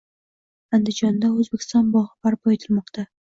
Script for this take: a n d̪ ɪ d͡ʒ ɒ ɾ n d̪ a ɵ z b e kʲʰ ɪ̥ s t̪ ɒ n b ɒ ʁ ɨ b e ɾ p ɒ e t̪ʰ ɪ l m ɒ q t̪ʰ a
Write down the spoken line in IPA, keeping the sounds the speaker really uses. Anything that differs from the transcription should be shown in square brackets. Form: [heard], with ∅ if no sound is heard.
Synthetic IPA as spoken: a n d̪ ɪ d͡ʒ ɒ [∅] n d̪ a ɵ z b e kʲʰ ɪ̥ s t̪ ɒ n b ɒ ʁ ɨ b [a] ɾ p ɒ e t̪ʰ ɪ l m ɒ q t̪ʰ a